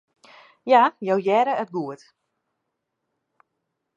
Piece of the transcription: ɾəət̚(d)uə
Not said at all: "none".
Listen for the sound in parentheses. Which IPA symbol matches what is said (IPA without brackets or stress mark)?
ɡ